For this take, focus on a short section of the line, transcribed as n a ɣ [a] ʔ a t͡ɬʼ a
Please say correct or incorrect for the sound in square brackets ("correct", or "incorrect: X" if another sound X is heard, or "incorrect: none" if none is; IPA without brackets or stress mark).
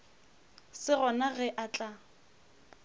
incorrect: ɛ